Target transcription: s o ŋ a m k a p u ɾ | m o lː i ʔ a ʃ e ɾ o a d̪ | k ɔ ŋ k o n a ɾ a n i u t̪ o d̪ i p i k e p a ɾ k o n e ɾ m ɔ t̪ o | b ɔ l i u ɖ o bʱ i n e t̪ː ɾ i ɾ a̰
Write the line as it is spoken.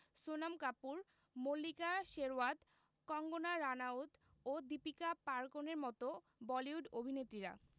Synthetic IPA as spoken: s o n a m k a p u ɾ | m o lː i k a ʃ e ɾ o a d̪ | k ɔ ŋ ɡ o n a ɾ a n a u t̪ o d̪ i p i k a p a ɾ k o n e ɾ m ɔ t̪ o | b ɔ l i u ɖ o bʱ i n e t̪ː ɾ i ɾ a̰